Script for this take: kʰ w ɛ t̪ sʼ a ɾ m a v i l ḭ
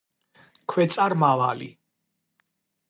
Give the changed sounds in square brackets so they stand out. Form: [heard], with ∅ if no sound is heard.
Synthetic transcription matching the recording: kʰ w ɛ t̪ sʼ a ɾ m a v [a] l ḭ

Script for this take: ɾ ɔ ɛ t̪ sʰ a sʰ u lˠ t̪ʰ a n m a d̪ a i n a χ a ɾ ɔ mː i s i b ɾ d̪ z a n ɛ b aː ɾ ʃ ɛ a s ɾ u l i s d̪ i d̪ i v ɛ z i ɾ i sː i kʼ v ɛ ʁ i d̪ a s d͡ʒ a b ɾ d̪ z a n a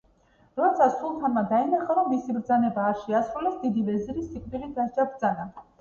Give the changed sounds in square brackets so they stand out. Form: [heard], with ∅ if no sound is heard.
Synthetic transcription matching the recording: ɾ ɔ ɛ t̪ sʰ a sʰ u lˠ t̪ʰ a n m a d̪ a i n a χ a ɾ ɔ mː i s i b ɾ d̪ z a n ɛ b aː ɾ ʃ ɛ a s ɾ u l [ɛ] s d̪ i d̪ i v ɛ z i ɾ i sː i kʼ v [i] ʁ i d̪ a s d͡ʒ a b ɾ d̪ z a n a

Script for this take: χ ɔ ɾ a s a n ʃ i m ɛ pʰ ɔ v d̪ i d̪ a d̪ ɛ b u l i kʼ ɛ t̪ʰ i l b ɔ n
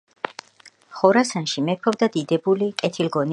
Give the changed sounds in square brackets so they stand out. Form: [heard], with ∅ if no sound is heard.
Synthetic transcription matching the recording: χ ɔ ɾ a s a n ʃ i m ɛ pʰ ɔ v d̪ [a] d̪ [i] d̪ ɛ b u l i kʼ ɛ t̪ʰ i l [ɡ] ɔ n

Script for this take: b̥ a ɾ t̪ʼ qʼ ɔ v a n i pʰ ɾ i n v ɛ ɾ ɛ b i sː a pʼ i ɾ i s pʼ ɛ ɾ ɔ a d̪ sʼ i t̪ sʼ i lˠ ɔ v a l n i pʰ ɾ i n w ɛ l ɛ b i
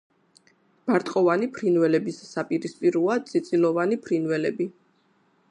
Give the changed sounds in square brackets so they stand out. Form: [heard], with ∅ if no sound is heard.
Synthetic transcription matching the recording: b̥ a ɾ t̪ʼ qʼ ɔ v a n i pʰ ɾ i n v ɛ [l] ɛ b i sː a pʼ i ɾ i s pʼ [i] ɾ [u] a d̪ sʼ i t̪ sʼ i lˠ ɔ v a [∅] n i pʰ ɾ i n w ɛ l ɛ b i

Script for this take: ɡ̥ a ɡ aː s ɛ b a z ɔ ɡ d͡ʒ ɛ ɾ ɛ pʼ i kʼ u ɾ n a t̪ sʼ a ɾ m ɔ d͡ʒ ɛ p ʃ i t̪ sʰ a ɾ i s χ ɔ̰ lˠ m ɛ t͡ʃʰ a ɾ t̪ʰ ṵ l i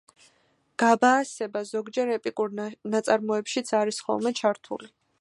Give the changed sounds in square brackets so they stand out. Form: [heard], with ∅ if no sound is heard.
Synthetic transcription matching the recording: ɡ̥ a [b] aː s ɛ b a z ɔ ɡ d͡ʒ ɛ ɾ ɛ pʼ i kʼ u ɾ n a t̪ sʼ a ɾ m ɔ [∅] ɛ p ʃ i t̪ sʰ a ɾ i s χ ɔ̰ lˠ m ɛ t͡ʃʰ a ɾ t̪ʰ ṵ l i

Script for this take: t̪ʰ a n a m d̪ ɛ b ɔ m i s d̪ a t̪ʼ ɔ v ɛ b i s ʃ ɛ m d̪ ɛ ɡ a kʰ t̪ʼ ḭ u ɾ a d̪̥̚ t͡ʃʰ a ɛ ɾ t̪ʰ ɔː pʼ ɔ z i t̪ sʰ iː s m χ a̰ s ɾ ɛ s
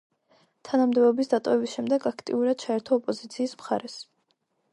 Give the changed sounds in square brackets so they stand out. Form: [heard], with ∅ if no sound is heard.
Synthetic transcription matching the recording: t̪ʰ a n a m d̪ ɛ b ɔ [b] i s d̪ a t̪ʼ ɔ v ɛ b i s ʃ ɛ m d̪ ɛ ɡ a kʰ t̪ʼ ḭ u ɾ a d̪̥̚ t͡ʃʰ a ɛ ɾ t̪ʰ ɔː pʼ ɔ z i t̪ sʰ iː s m χ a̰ [∅] ɾ ɛ s

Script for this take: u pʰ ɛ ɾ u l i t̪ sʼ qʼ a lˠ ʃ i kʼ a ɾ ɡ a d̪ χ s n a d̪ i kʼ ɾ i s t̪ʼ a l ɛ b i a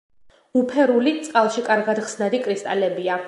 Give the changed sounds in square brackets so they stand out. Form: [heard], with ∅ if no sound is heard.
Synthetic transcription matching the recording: u pʰ ɛ ɾ u l i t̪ sʼ qʼ a lˠ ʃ i kʼ a ɾ ɡ a d̪ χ s n a d̪ i kʼ ɾ i s t̪ʼ a l ɛ b i a

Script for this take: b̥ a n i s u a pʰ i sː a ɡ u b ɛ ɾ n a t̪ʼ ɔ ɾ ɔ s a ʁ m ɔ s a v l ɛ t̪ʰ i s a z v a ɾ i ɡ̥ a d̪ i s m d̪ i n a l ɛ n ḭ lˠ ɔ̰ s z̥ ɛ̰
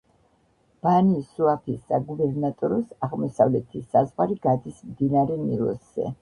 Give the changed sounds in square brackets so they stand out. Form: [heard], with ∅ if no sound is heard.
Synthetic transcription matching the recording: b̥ a n i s u a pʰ i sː a ɡ u b ɛ ɾ n a t̪ʼ ɔ ɾ ɔ s a ʁ m ɔ s a v l ɛ t̪ʰ i s a z [ʁ] a ɾ i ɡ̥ a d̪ i s m d̪ i n a [ɾ] ɛ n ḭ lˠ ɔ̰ s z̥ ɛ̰

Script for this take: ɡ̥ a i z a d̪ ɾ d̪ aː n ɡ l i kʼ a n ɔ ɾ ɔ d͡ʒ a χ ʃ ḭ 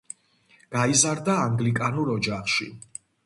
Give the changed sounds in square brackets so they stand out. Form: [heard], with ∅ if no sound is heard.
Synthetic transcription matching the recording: ɡ̥ a i z a [∅] ɾ d̪ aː [ŋ] ɡ l i kʼ a n [u] ɾ ɔ d͡ʒ a χ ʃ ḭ

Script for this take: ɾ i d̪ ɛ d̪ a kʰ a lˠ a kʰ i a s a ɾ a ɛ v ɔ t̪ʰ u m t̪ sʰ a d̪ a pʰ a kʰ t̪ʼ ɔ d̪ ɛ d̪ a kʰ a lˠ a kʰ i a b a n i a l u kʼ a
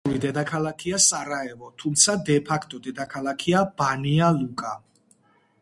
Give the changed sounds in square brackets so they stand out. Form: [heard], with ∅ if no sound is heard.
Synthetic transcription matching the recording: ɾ i d̪ ɛ d̪ a kʰ a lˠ a kʰ i a s a ɾ a ɛ v ɔ t̪ʰ u m t̪ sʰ a d̪ [ɛ] pʰ a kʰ t̪ʼ ɔ d̪ ɛ d̪ a kʰ a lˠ a kʰ i a b a n i a l u kʼ a

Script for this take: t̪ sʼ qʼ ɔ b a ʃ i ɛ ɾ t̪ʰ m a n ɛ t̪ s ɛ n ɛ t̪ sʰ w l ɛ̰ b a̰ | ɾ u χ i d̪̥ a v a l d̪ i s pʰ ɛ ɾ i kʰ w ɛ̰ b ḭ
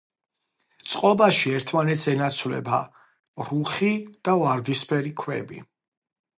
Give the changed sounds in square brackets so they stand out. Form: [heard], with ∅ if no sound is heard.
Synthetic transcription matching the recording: t̪ sʼ qʼ ɔ b a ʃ i ɛ ɾ t̪ʰ m a n ɛ t̪ s ɛ n [a] t̪ sʰ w l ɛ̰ b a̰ | ɾ u χ i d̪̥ a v a [ɾ] d̪ i s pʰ ɛ ɾ i kʰ w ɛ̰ b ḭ

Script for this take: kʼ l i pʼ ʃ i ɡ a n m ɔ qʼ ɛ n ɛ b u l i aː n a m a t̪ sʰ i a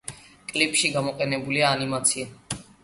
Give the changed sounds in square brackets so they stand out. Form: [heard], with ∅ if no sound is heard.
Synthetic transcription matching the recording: kʼ l i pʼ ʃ i ɡ a [∅] m ɔ qʼ ɛ n ɛ b u l i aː n [i] m a t̪ sʰ i a

